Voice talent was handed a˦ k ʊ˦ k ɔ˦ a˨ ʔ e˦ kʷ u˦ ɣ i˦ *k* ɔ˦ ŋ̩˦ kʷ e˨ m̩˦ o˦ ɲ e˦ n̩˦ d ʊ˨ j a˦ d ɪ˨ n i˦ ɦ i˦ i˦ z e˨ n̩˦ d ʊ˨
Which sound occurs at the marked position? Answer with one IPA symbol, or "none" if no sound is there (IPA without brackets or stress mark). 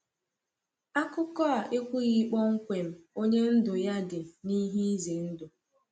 k͡p